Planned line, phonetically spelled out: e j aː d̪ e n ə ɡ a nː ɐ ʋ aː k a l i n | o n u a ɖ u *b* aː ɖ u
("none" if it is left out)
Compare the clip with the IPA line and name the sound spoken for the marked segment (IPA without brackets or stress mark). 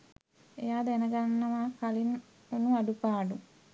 p